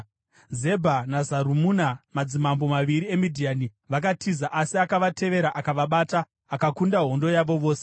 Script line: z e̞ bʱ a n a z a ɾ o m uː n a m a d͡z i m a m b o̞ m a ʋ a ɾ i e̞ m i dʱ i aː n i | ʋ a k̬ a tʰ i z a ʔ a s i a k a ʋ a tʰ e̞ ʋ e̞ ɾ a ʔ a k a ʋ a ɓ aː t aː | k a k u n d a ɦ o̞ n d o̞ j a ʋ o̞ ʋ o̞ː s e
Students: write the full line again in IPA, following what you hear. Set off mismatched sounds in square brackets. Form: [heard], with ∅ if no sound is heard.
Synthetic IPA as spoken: z e̞ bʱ a n a z a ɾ [u] m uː n a m a d͡z i m a m b o̞ m a ʋ [i] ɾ i e̞ m i dʱ i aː n i | ʋ a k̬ a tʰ i z a ʔ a s i a k a ʋ a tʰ e̞ ʋ e̞ ɾ a ʔ a k a ʋ a ɓ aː t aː | k a k u n d a ɦ o̞ n d o̞ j a ʋ o̞ ʋ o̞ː s e

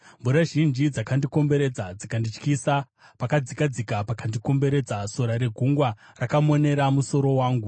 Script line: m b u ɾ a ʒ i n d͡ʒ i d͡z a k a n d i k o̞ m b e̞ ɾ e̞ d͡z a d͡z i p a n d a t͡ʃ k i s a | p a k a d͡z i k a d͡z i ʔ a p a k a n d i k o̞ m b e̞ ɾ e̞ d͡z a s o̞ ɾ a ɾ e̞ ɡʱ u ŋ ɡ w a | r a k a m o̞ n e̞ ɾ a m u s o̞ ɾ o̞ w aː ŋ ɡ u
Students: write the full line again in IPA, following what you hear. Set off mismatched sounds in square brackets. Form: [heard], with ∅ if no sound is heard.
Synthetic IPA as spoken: m b u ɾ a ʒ i n d͡ʒ i d͡z a k a n d i k o̞ m b e̞ ɾ e̞ d͡z a d͡z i [k] a n d [i] t͡ʃ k i s a | p a k a d͡z i k a d͡z i [k] a p a k a n d i k o̞ m b e̞ ɾ e̞ d͡z a s o̞ ɾ a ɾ e̞ ɡʱ u ŋ ɡ w a | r a k a m o̞ n e̞ ɾ a m u s o̞ ɾ o̞ w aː ŋ ɡ u

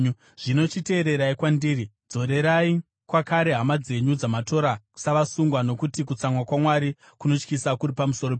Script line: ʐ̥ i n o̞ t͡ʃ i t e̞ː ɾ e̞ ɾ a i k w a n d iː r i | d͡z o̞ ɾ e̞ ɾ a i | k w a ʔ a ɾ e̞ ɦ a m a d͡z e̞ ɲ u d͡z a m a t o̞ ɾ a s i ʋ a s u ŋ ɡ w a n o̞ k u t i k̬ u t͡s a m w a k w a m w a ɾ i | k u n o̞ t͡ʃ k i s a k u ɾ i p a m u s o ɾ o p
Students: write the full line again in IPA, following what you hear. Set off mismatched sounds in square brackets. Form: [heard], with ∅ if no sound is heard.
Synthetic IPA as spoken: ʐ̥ i n o̞ t͡ʃ i t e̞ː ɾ e̞ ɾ a i k w a n d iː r i | d͡z o̞ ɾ e̞ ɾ a i | k w a [k] a ɾ e̞ ɦ a m a d͡z e̞ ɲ u d͡z a m a t o̞ ɾ a s [a] ʋ a s u ŋ ɡ w a n o̞ k u t i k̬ u t͡s a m w a k w a m w a ɾ i | k u n o̞ t͡ʃ k i s a k u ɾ i p a m u s o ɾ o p

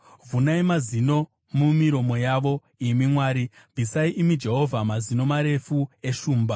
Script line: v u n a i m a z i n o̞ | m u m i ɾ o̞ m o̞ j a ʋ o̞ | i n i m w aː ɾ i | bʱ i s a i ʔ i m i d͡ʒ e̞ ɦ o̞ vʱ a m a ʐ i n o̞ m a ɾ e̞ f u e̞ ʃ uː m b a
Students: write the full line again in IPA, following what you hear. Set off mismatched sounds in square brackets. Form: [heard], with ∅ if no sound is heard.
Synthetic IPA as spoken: v u n a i m a z i n o̞ | m u m i ɾ o̞ m o̞ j a ʋ o̞ | i [m] i m w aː ɾ i | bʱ i s a i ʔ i m i d͡ʒ e̞ ɦ o̞ vʱ a m a [z] i n o̞ m a ɾ e̞ f u e̞ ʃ uː m b a

